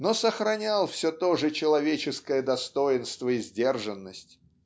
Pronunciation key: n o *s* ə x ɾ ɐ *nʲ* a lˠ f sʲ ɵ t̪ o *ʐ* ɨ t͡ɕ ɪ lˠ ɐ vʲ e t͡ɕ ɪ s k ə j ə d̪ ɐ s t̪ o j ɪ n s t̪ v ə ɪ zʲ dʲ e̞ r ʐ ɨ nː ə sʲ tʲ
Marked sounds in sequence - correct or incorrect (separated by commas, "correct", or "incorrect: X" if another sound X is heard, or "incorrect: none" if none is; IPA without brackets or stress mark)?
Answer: correct, correct, correct